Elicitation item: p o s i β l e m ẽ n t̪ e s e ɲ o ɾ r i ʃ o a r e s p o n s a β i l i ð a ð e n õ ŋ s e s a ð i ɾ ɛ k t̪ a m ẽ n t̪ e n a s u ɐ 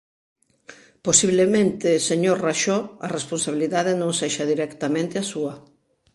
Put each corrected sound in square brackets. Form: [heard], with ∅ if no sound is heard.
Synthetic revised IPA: p o s i β l e m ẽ n t̪ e s e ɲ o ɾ r [a] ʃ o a r e s p o n s a β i l i ð a ð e n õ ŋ s e [ʃ] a ð i ɾ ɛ k t̪ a m ẽ n t̪ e [∅] a s u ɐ